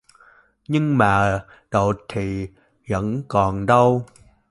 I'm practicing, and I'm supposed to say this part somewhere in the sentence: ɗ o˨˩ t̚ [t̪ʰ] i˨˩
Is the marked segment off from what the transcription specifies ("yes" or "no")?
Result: no